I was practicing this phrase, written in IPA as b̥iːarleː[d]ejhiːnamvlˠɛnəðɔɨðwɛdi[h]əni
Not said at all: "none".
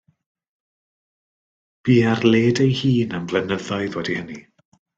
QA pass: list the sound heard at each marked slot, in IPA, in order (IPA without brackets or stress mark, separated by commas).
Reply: d, h